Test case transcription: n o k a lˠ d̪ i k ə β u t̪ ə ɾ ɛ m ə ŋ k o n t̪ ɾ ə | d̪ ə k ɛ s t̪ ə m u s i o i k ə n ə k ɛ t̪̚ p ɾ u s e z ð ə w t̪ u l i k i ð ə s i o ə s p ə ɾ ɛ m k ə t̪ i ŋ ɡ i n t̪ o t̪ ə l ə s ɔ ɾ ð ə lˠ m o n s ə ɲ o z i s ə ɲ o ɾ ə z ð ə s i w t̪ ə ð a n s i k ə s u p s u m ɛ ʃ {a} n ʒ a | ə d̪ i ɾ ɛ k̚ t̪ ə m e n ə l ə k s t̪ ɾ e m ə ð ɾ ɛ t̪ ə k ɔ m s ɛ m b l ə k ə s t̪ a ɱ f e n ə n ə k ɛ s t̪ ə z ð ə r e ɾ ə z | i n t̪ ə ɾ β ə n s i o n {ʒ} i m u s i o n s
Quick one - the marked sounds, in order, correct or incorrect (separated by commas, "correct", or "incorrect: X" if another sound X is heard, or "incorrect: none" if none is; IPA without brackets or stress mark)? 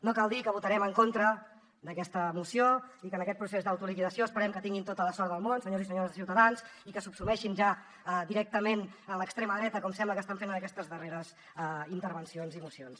incorrect: i, incorrect: z